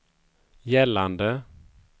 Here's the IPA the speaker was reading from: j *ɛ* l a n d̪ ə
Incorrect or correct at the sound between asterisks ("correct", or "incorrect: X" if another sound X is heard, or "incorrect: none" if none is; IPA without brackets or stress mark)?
correct